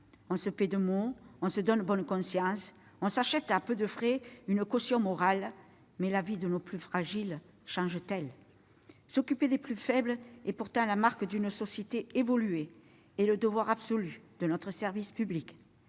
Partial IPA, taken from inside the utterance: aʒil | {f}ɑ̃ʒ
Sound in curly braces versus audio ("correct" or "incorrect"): incorrect